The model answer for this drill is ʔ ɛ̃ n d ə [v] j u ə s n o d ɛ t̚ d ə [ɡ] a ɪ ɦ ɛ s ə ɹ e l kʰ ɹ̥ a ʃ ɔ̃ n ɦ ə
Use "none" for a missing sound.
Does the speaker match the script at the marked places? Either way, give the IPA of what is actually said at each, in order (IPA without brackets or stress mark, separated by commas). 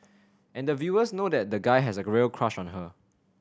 v, ɡ